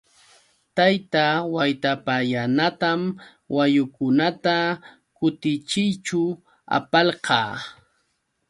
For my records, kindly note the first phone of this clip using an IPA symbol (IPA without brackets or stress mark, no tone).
t̪